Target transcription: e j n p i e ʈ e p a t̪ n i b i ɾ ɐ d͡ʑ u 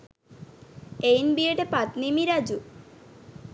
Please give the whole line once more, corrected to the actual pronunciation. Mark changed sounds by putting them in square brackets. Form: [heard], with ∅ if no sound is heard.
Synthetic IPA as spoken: e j n [b] i e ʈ e p a t̪ n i [m] i ɾ [a] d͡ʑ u